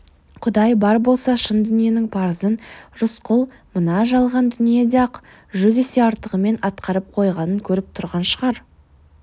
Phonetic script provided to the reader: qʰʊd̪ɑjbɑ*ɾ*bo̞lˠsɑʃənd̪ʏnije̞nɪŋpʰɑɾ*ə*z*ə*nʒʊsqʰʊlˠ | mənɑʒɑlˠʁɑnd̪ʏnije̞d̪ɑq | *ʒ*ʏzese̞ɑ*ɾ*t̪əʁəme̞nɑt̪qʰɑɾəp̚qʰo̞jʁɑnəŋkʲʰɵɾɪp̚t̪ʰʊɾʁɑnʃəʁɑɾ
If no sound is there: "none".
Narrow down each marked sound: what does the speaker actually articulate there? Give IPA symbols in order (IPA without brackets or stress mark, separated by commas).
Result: ɾ, ə, ə, ʒ, ɾ